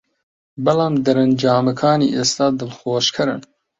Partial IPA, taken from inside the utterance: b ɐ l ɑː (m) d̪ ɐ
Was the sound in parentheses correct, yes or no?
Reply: yes